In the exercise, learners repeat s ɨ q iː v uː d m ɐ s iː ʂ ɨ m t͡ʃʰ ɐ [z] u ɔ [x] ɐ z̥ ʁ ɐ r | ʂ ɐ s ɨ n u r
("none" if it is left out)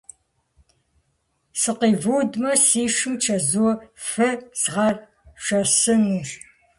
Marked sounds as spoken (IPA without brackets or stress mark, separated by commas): z, f